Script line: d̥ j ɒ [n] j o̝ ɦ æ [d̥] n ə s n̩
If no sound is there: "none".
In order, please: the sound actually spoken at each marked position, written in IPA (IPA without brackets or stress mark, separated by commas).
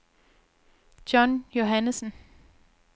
n, none